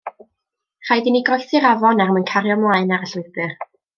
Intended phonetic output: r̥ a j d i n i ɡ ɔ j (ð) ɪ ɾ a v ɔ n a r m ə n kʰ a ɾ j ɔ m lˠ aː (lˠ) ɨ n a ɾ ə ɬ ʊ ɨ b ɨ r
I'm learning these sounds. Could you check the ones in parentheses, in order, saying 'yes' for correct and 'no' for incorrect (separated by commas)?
no, no